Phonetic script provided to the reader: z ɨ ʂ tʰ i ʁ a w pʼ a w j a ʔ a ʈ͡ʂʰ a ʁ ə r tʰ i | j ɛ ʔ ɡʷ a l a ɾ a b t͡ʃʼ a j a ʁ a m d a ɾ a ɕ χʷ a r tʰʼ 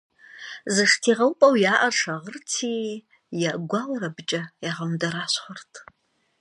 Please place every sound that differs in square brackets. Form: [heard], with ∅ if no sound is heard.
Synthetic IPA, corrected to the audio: z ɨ ʂ tʰ i ʁ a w pʼ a w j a ʔ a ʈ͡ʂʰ a ʁ ə r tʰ i | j [a] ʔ ɡʷ a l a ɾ a b t͡ʃʼ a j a ʁ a m d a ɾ a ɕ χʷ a r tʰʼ